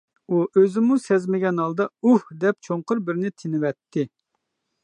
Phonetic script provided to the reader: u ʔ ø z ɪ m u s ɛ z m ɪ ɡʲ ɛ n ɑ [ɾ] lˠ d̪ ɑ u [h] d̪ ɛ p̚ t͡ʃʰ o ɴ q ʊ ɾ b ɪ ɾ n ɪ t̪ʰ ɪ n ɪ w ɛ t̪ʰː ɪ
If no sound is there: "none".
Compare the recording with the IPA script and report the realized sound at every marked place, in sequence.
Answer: none, h

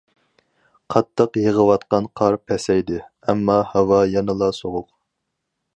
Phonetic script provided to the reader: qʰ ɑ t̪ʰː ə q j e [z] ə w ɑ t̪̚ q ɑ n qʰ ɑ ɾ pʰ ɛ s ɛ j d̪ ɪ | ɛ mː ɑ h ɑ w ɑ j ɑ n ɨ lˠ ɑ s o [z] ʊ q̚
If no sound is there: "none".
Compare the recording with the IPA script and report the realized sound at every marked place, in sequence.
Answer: ʁ, ʁ

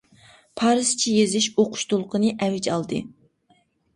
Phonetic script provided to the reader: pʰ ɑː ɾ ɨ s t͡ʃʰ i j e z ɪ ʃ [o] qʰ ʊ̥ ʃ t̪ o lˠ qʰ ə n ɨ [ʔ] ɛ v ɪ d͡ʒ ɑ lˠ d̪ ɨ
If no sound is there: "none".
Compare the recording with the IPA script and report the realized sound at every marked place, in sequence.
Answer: o, ʔ

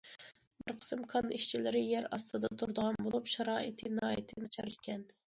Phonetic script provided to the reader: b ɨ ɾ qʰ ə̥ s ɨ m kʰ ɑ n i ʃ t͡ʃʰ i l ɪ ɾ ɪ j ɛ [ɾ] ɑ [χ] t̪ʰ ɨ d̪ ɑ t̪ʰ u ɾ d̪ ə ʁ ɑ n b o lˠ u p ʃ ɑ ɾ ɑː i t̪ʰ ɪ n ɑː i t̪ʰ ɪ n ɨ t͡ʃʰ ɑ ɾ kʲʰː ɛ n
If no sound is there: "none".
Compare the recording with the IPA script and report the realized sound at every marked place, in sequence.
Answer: ɾ, s

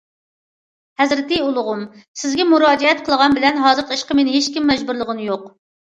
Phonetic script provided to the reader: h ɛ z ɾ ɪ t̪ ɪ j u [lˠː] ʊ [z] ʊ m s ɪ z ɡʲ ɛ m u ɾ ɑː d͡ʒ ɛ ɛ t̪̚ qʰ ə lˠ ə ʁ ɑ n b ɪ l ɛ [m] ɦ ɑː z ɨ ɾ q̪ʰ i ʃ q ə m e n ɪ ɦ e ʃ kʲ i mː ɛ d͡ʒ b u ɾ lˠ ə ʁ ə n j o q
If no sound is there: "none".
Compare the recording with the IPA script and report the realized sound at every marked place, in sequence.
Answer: lˠ, ʁ, n

